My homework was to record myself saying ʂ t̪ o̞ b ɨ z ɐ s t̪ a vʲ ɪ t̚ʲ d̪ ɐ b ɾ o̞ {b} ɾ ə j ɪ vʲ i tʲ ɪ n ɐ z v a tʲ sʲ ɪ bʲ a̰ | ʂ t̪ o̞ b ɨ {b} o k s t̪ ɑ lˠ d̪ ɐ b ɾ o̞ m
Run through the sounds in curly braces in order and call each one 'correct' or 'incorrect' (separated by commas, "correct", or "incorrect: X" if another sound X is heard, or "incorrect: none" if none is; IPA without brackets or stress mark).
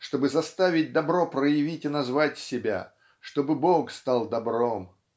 incorrect: p, correct